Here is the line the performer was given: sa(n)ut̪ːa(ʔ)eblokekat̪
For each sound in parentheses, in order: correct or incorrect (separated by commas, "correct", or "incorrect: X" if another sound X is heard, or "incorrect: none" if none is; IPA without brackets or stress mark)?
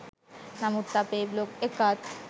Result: incorrect: m, incorrect: p